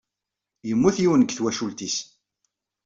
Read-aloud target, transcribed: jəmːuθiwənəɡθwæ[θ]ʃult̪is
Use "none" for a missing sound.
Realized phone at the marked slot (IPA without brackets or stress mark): none